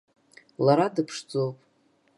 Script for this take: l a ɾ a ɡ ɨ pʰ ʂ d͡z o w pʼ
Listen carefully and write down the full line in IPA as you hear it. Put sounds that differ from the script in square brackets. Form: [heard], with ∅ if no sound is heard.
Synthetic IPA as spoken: l a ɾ a [d] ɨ pʰ ʂ d͡z o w pʼ

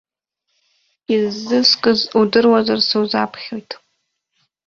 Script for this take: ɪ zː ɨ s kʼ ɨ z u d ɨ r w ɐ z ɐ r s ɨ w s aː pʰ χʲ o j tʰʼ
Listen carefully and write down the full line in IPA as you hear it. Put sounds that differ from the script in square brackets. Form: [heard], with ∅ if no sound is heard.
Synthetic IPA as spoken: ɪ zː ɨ s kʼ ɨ z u d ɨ r w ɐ z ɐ r s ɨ w [z] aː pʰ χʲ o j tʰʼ

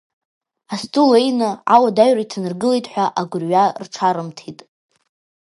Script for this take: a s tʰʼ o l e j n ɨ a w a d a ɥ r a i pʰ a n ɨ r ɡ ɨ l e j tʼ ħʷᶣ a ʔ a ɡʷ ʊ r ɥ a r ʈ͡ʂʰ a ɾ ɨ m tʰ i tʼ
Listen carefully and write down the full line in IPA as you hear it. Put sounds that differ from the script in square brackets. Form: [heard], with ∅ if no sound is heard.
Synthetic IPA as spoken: a s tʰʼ [u] l e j n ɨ a w a d a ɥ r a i [tʰ] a n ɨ r ɡ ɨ l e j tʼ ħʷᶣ a ʔ a ɡʷ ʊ r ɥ a r ʈ͡ʂʰ a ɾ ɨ m tʰ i tʼ

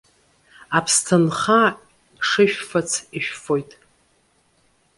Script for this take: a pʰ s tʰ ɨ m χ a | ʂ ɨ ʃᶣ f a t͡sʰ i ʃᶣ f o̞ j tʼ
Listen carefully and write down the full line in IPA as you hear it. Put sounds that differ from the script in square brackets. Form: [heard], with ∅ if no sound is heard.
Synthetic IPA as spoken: a pʰ s tʰ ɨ [n] χ a | ʂ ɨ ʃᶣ f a t͡sʰ i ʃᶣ f o̞ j tʼ

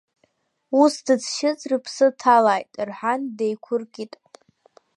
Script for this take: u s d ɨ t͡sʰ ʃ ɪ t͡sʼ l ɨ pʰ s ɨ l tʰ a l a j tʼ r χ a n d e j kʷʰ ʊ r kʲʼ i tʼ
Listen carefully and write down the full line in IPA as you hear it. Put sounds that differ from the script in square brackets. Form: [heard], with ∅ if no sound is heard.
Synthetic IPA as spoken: u s d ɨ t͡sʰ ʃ ɪ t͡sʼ [r] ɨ pʰ s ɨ [∅] tʰ a l a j tʼ r [ħ] a n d e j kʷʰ ʊ r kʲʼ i tʼ

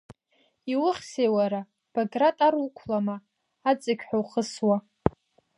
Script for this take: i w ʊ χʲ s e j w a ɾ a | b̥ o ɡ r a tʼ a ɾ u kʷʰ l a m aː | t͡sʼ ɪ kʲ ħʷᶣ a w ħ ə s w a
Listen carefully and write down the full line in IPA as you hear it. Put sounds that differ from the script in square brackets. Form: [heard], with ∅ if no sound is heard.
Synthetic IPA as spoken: i w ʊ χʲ s e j w a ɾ a | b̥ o ɡ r a tʼ a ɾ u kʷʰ l a m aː | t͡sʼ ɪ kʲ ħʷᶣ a w [χ] ə s w a

